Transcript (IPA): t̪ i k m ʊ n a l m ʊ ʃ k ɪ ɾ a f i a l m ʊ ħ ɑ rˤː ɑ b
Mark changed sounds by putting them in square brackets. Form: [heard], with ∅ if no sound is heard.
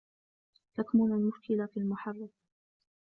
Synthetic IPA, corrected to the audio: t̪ [a] k m ʊ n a l m ʊ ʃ k ɪ [l] a f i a l m ʊ ħ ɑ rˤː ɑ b

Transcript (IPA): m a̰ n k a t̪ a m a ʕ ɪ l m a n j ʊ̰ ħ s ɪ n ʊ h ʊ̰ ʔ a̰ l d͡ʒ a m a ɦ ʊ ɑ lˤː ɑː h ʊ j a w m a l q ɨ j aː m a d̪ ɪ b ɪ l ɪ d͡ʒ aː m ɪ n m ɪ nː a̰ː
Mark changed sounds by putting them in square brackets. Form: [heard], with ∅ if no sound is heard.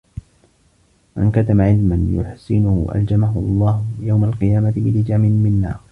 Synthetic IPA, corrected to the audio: m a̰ n k a t̪ a m a ʕ ɪ l m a n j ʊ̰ ħ s ɪ n ʊ h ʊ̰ ʔ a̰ l d͡ʒ a m a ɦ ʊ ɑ lˤː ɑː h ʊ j a w m a l q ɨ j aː m a [t̪] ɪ b ɪ l ɪ d͡ʒ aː m ɪ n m ɪ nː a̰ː

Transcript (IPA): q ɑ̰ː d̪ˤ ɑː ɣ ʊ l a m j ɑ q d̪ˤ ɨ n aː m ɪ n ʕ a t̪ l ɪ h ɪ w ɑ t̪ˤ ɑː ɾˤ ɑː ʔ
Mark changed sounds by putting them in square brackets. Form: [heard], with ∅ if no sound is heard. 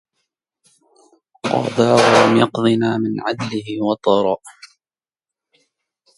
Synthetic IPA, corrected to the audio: q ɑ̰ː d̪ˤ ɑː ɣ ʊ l a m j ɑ q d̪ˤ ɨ n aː m ɪ n ʕ a [d̪] l ɪ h ɪ w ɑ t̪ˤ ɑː ɾˤ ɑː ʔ

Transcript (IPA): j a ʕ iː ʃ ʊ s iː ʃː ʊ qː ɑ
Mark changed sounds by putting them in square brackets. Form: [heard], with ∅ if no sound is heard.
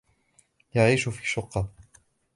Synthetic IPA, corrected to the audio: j a ʕ iː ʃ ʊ [f] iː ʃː ʊ qː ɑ

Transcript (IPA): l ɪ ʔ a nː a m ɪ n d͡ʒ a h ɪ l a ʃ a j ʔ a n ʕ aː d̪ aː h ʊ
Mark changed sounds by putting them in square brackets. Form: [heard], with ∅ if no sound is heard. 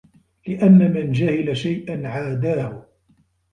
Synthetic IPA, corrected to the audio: l ɪ ʔ a nː a m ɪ n d͡ʒ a h ɪ l a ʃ a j ʔ a n ʕ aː d̪ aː h ʊ

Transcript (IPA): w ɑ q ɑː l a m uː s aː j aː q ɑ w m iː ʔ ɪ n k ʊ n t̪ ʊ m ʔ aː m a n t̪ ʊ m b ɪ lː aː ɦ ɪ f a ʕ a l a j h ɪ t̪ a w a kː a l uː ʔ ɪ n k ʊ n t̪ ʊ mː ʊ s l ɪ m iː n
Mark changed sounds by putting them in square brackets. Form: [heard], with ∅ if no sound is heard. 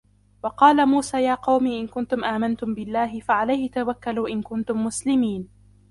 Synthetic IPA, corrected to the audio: w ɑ q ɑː l a m uː s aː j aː q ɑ w m iː ʔ ɪ n k ʊ n t̪ ʊ m ʔ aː m a n t̪ ʊ m b ɪ lː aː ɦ ɪ f a ʕ a l a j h ɪ t̪ a w a kː a l uː ʔ ɪ n k ʊ n t̪ ʊ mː ʊ s l ɪ m iː n

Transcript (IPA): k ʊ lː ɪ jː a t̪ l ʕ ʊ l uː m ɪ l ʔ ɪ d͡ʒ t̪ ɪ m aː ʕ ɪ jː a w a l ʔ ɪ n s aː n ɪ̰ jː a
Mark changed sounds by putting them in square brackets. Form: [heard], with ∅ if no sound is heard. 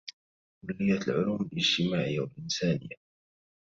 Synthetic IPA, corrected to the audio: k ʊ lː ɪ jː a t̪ l ʕ ʊ l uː m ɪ l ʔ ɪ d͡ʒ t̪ ɪ m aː ʕ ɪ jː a w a l ʔ ɪ n s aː n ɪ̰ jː a

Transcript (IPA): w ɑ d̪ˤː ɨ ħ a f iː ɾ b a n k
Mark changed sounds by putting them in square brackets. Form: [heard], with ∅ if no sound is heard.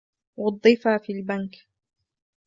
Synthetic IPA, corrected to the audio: w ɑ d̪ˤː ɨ [f] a f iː [l] b a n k

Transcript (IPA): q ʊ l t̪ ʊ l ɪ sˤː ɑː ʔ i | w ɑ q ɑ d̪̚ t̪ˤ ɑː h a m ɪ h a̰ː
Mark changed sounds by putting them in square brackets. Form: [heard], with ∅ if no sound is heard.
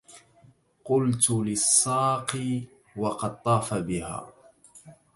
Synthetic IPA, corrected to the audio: q ʊ l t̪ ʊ l ɪ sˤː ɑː [q] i | w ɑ q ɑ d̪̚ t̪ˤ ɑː [f] a [b] ɪ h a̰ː

